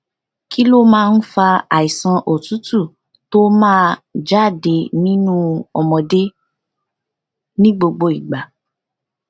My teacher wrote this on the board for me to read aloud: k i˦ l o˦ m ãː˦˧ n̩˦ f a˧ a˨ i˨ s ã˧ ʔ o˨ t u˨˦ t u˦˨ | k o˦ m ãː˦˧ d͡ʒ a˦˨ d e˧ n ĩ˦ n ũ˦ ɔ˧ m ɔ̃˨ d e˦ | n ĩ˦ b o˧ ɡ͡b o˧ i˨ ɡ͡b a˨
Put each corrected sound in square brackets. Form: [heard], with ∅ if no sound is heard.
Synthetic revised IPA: k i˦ l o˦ m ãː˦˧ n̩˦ f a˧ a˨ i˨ s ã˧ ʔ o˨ t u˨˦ t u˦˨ | [t] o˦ m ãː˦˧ d͡ʒ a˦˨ d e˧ n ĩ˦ n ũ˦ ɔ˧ m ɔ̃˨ d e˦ | n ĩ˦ [ɡ͡b] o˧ ɡ͡b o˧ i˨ ɡ͡b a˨